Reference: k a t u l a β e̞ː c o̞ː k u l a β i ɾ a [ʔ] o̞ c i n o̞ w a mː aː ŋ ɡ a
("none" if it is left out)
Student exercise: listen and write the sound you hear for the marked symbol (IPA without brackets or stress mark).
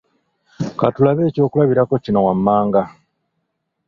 k